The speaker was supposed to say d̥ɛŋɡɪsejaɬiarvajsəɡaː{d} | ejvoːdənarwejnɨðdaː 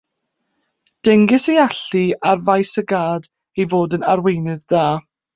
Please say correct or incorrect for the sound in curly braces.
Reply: correct